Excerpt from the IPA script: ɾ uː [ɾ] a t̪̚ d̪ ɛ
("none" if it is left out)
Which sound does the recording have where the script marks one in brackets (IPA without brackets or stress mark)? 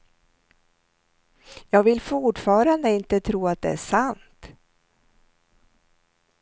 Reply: none